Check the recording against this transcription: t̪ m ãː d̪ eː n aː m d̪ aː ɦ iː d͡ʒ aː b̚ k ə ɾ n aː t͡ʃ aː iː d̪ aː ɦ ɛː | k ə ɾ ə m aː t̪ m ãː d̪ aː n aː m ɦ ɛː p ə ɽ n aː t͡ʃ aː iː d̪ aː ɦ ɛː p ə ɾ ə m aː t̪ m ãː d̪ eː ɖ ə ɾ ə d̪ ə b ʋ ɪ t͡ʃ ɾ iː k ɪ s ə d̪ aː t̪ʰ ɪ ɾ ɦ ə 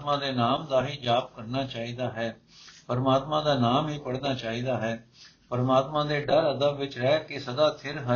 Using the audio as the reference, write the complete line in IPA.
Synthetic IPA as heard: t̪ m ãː d̪ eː n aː m d̪ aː ɦ iː d͡ʒ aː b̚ k ə ɾ n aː t͡ʃ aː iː d̪ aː ɦ ɛː | p ə ɾ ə m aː t̪ m ãː d̪ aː n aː m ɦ iː p ə ɽ n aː t͡ʃ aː iː d̪ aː ɦ ɛː p ə ɾ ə m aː t̪ m ãː d̪ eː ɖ ə ɾ ə d̪ ə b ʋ ɪ t͡ʃ ɾ ɛː k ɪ s ə d̪ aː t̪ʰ ɪ ɾ ɦ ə